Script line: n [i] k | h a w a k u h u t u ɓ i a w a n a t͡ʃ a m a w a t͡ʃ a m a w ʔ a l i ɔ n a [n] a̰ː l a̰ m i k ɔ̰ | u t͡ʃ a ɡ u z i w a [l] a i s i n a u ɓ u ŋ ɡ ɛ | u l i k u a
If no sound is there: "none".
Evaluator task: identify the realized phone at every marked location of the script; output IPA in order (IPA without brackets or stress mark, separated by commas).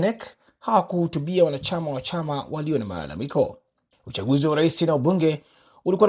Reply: ɛ, m, ɾ